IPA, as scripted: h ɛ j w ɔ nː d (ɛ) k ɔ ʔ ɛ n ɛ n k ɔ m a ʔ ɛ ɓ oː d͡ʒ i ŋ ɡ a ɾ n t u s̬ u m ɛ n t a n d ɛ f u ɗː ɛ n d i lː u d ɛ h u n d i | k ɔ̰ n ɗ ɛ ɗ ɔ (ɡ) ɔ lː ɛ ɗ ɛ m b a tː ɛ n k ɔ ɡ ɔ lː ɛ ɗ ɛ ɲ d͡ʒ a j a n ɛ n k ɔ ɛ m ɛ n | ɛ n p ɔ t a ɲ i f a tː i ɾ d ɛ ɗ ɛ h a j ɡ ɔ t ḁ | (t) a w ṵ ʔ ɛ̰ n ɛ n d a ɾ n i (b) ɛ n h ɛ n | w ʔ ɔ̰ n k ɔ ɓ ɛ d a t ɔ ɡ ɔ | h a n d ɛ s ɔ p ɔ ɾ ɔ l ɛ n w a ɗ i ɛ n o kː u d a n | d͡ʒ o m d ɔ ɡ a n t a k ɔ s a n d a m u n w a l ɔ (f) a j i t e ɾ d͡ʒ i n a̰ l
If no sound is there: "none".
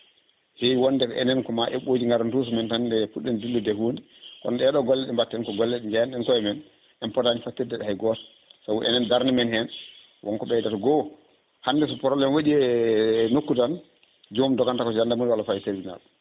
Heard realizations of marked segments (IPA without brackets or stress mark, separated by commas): ɛ, ɡ, s, m, f